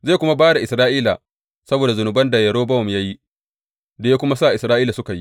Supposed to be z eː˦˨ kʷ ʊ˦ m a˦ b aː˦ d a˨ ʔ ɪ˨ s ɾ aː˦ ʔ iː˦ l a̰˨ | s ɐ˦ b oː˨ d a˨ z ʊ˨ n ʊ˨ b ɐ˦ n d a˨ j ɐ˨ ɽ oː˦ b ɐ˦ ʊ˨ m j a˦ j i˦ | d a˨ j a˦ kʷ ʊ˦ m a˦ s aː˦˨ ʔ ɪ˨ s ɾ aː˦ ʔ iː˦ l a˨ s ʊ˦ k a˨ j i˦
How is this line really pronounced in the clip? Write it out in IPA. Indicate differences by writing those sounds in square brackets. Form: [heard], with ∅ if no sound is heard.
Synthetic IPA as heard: z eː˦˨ kʷ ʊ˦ m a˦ b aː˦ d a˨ ʔ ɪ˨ s ɾ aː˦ ʔ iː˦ l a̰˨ | s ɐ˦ b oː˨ d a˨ z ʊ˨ n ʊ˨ b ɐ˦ n d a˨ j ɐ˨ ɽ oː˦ b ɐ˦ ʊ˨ m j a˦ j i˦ | d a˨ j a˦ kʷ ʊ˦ m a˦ s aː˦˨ ʔ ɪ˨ s ɾ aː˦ ʔ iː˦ l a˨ s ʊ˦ k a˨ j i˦